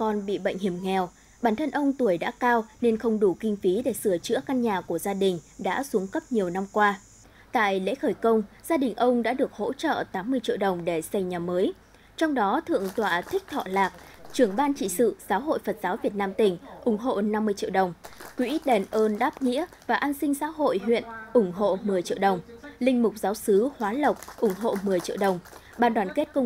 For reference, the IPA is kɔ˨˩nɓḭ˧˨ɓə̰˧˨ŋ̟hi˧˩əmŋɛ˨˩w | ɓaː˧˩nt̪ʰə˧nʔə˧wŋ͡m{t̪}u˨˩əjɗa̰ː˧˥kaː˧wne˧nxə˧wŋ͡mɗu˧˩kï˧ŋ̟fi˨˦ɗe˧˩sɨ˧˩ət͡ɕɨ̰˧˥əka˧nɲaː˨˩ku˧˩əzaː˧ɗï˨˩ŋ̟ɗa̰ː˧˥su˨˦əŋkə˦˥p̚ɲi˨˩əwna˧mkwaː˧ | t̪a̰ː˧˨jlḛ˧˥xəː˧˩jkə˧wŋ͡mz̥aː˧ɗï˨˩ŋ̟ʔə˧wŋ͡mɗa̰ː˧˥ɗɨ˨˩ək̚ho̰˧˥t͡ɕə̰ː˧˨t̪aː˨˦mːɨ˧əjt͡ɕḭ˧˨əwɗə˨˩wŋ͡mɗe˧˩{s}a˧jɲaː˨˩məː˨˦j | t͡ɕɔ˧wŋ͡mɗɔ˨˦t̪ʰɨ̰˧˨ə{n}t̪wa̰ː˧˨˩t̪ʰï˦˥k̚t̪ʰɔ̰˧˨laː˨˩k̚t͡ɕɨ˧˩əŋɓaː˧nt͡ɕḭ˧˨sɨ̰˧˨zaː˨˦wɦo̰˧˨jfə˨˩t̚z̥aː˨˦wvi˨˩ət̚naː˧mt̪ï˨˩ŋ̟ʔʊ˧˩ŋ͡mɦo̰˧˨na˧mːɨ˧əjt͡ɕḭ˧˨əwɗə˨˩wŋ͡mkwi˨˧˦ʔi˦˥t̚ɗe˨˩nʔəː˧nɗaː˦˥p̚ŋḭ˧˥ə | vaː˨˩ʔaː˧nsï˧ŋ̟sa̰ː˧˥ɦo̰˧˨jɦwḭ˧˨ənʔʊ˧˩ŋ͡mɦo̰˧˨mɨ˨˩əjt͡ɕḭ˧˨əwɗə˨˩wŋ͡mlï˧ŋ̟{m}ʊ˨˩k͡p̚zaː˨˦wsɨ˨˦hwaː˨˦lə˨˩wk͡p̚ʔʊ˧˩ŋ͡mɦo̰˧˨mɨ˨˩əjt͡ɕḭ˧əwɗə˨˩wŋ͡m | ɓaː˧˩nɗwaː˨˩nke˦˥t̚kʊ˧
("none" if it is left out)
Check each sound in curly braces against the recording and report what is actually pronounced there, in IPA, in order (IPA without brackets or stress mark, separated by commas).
t̪, s, ŋ, m